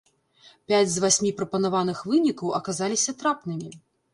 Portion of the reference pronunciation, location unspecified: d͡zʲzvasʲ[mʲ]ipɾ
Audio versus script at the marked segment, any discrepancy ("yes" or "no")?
no